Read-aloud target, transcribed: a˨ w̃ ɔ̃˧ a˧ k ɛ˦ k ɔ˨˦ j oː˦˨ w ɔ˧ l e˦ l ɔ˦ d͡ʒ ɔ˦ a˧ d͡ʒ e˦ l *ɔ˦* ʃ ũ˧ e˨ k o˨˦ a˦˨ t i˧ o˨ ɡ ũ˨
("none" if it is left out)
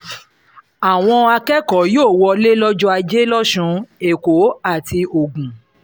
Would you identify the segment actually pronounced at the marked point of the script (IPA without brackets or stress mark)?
ɔ˦